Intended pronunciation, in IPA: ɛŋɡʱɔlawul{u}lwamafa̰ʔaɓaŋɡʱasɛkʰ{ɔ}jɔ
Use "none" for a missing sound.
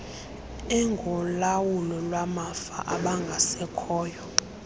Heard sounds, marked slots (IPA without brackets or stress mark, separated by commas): ɔ, ɔː